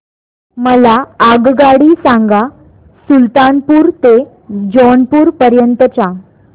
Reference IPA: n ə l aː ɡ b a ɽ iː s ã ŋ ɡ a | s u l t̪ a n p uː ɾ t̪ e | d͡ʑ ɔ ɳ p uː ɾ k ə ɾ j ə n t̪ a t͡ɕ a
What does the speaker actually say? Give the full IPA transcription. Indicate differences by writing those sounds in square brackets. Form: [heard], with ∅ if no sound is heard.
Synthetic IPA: [m] ə l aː ɡ [ɡ] a ɽ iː s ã ŋ ɡ a | s u l t̪ a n p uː ɾ t̪ e | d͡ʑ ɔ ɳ p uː ɾ [p] ə ɾ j ə n t̪ [ə] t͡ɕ a